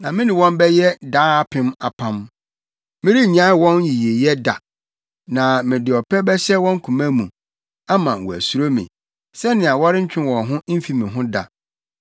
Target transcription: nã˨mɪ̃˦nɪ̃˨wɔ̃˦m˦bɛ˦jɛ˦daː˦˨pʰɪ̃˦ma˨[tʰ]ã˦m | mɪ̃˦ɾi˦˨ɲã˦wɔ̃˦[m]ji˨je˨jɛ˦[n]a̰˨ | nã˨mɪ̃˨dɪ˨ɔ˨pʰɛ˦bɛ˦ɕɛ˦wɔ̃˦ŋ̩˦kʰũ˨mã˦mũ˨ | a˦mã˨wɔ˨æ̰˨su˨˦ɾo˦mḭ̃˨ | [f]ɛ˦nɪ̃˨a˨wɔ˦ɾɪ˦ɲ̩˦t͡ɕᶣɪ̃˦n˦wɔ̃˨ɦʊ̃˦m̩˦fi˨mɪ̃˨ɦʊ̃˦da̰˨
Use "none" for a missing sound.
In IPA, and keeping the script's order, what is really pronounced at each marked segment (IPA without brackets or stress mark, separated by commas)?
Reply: pʰ, n, d, s